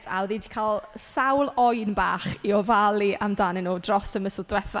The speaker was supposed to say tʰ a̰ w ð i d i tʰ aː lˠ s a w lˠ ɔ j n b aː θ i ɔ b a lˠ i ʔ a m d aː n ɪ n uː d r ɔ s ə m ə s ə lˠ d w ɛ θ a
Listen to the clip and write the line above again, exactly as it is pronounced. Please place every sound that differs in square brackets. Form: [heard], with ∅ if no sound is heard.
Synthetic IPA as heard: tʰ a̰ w ð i d i [kʰ] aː lˠ s a w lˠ ɔ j n b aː [χ] i ɔ [v] a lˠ i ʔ a m d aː n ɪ n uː d r ɔ s ə m ə s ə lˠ d w ɛ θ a